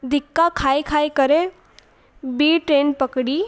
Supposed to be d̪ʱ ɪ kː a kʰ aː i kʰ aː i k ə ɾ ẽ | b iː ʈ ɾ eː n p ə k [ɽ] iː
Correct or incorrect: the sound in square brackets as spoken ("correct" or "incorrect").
correct